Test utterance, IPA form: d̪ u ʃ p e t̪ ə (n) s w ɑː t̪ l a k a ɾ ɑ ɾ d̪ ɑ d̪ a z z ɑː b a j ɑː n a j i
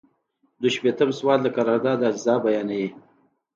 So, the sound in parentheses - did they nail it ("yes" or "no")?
no